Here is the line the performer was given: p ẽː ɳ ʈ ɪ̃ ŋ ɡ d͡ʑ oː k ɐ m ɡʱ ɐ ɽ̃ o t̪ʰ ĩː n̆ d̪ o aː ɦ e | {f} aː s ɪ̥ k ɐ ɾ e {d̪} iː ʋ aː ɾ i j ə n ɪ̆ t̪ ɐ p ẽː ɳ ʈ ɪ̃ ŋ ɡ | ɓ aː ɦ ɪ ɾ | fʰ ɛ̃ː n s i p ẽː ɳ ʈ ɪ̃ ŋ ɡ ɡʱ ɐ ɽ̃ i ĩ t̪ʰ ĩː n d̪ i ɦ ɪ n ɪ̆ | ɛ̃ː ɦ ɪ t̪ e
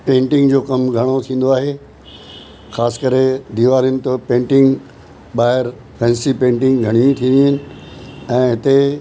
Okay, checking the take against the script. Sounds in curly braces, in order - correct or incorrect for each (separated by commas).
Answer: incorrect, correct